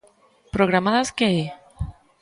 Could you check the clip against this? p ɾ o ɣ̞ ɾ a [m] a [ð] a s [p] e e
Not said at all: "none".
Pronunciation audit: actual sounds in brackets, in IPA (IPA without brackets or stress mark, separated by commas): m, ð, k